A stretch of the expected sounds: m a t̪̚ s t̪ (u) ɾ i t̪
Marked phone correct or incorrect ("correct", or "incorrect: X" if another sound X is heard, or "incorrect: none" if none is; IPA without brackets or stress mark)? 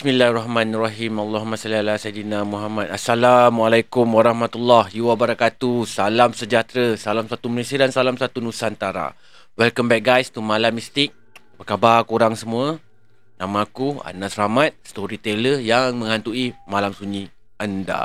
incorrect: o